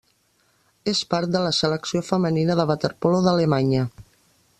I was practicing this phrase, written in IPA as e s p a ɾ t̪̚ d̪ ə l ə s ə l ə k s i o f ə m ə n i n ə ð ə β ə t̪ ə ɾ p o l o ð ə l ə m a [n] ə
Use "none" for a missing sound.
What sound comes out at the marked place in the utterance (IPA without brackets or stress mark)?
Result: ɲ